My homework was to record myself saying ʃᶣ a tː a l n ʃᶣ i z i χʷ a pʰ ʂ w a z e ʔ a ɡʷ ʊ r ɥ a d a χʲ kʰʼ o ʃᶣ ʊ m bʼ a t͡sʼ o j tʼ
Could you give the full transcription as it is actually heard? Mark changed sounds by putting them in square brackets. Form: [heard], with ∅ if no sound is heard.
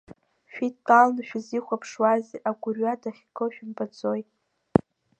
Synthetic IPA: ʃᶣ [i] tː a l n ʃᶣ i z i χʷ a pʰ ʂ w a z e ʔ a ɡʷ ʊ r ɥ a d a χʲ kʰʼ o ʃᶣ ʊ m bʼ a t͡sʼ o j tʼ